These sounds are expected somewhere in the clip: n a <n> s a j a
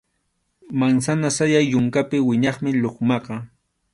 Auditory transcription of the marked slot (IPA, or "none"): none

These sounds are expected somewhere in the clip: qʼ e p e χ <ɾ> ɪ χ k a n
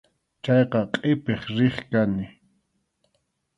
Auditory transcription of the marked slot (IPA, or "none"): ɾ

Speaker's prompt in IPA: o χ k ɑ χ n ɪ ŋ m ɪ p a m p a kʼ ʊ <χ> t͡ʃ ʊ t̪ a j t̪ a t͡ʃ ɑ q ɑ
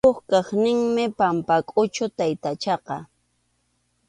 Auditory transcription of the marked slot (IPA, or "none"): none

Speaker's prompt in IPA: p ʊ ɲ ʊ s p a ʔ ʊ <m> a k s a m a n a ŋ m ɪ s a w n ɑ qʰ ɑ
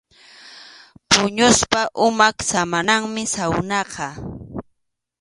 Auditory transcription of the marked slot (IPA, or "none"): m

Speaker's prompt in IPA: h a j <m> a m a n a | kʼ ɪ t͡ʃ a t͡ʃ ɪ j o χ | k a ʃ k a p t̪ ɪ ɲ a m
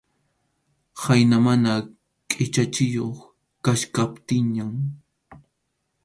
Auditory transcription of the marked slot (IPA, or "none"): n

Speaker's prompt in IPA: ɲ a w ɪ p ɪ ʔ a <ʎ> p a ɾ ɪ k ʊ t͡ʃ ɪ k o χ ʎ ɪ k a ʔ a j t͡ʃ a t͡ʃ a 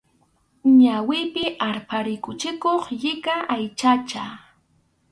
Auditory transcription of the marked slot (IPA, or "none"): ɾ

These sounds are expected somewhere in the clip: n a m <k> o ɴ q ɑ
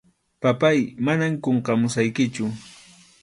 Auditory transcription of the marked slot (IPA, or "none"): k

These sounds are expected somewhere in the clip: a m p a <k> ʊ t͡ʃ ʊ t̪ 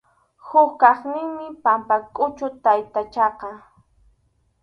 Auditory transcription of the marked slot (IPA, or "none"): kʼ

